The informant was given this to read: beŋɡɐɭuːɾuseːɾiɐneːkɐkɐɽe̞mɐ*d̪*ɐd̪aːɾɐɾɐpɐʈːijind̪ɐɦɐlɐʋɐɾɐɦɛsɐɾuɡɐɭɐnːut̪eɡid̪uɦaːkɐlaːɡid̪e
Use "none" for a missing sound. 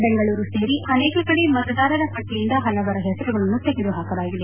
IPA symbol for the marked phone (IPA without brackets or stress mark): t̪